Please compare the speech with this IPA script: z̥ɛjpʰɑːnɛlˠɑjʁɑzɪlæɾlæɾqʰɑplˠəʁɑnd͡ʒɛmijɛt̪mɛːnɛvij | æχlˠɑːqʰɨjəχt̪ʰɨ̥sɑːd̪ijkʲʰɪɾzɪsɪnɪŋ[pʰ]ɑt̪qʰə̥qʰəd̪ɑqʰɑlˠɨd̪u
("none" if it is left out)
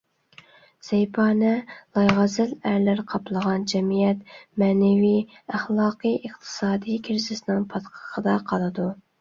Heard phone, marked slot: pʰ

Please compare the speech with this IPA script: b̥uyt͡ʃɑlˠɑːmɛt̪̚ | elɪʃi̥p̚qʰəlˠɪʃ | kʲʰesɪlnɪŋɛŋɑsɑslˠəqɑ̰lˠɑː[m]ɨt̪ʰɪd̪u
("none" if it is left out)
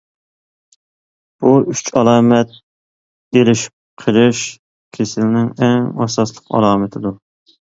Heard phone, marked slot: m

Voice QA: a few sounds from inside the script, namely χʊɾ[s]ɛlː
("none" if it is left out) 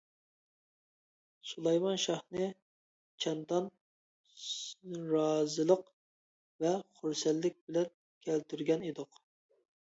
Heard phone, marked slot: s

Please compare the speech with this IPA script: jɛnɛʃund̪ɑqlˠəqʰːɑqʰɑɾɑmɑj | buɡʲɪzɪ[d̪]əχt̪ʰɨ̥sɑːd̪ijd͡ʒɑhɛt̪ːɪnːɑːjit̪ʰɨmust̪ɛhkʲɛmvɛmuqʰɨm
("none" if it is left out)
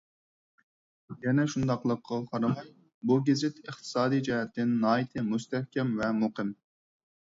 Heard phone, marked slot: t̪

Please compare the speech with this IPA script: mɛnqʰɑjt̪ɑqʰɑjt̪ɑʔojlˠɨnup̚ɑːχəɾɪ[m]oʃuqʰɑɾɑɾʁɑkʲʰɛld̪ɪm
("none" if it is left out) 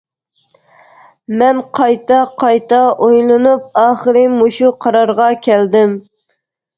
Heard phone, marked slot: m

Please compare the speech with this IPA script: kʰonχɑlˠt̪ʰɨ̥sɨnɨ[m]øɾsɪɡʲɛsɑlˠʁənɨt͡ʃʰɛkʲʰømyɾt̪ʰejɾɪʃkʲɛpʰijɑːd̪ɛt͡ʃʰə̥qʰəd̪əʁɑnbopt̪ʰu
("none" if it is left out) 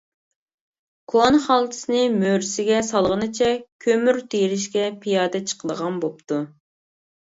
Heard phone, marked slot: m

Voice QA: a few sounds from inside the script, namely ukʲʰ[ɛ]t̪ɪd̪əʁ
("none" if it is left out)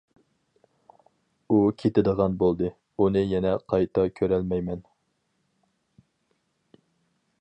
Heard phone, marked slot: e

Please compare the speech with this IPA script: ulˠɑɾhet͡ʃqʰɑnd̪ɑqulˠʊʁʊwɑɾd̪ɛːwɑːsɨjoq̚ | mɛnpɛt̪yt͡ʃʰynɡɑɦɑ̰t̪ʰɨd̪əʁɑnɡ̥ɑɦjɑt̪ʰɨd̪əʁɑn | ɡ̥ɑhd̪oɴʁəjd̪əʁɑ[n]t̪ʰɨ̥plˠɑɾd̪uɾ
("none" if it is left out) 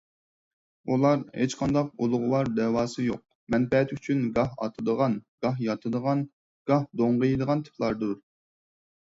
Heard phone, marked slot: n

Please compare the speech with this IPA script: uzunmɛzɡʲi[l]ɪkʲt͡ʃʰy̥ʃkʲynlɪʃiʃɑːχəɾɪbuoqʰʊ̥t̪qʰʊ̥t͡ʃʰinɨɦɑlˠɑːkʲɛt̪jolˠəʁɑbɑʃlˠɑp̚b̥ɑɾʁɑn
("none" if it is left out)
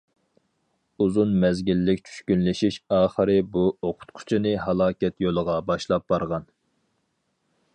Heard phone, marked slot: lː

